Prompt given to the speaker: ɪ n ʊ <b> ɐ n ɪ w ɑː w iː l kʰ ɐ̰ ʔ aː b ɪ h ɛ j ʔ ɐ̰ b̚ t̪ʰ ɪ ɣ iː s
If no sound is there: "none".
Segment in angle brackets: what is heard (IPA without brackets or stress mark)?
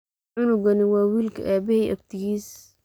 ɡ